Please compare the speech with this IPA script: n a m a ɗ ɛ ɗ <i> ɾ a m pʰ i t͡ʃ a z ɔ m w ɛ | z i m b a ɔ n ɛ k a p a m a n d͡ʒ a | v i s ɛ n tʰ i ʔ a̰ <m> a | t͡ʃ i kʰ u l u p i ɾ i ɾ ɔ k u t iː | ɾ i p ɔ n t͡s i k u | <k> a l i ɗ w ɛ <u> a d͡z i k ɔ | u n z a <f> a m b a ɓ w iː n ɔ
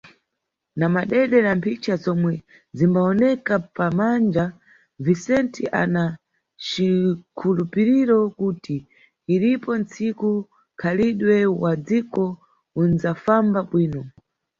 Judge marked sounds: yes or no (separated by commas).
no, no, no, no, yes